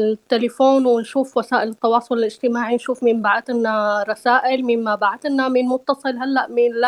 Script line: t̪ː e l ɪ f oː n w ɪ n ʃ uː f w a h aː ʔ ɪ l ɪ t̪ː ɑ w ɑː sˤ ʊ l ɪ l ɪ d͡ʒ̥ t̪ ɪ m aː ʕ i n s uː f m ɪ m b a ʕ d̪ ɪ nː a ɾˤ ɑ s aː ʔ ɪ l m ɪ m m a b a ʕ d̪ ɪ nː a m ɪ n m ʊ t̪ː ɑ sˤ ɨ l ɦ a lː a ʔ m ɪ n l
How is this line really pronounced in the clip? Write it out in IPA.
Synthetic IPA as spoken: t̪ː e l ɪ f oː n w ɪ n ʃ uː f w a s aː ʔ ɪ l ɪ t̪ː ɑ w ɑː sˤ ʊ l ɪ l ɪ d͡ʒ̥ t̪ ɪ m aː ʕ i n ʃ uː f m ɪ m b a ʕ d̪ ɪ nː a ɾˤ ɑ s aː ʔ ɪ l m ɪ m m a b a ʕ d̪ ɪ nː a m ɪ n m ʊ t̪ː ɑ sˤ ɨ l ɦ a lː a ʔ m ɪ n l